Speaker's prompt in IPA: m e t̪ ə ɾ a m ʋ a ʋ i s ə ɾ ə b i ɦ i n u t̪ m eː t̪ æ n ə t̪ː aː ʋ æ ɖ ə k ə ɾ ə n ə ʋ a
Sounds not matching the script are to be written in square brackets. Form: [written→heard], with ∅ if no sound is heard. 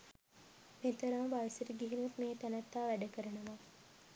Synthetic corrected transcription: m e t̪ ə ɾ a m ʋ a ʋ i s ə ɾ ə [b→ɡ] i ɦ i n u t̪ m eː t̪ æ n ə t̪ː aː ʋ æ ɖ ə k ə ɾ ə n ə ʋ a

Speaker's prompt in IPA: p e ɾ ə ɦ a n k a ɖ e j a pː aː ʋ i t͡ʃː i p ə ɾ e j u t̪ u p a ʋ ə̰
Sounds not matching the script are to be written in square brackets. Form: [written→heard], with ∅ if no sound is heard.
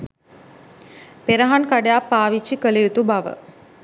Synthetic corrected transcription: p e ɾ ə ɦ a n k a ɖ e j a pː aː ʋ i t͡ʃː i [p→k] ə [ɾ→l] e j u t̪ u [p→b] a ʋ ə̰

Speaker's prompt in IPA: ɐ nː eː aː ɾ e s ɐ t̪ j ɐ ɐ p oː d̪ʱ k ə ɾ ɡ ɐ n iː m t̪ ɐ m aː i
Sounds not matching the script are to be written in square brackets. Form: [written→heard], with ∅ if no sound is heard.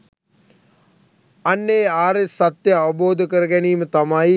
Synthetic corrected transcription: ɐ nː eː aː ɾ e s ɐ t̪ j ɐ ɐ [p→b] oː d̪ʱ k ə ɾ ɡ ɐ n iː m t̪ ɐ m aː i

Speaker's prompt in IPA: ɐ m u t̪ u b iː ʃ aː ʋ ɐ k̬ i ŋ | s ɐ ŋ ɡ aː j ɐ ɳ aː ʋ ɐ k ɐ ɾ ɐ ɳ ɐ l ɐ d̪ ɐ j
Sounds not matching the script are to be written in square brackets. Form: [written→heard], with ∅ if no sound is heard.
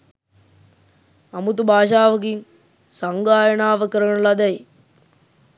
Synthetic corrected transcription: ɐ m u t̪ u b [iː→aː] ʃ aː ʋ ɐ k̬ i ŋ | s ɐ ŋ ɡ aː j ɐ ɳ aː ʋ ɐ k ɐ ɾ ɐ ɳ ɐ l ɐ d̪ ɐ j

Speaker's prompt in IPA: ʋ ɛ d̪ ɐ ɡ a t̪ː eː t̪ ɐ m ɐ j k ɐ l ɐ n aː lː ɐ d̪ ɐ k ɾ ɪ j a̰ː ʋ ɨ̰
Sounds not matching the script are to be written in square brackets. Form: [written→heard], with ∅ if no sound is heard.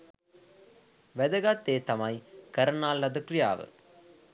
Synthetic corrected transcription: ʋ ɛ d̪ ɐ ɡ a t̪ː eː t̪ ɐ m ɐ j k ɐ [l→ɾ] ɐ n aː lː ɐ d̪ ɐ k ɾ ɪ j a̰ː ʋ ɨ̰

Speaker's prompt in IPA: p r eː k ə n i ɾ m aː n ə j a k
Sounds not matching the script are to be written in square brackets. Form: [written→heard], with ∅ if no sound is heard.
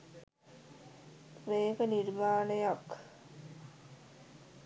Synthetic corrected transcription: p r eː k ə n i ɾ m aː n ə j a k

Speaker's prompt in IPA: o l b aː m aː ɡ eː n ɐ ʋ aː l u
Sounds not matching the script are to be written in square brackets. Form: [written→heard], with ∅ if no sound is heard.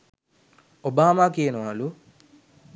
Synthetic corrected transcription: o [l→∅] b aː m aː [ɡ→k] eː n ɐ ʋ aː l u

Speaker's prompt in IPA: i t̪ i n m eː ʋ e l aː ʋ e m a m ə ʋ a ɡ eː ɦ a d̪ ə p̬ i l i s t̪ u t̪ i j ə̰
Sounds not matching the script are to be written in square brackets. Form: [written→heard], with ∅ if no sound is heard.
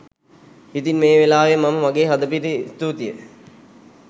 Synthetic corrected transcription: i t̪ i n m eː ʋ e l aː ʋ e m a m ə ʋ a ɡ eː ɦ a d̪ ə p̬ i [l→ɾ] i s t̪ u t̪ i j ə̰

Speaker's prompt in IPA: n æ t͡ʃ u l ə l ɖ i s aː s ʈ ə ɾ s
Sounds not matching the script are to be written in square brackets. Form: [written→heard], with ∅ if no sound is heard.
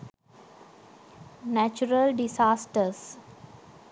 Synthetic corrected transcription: n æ t͡ʃ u [l→ɾ] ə l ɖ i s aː s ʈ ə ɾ s

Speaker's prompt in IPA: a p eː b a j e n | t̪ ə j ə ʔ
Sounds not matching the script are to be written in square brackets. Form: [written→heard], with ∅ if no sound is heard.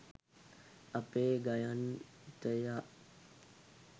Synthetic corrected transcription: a p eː [b→ɡ] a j [e→a] n | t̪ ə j [ə→a] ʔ

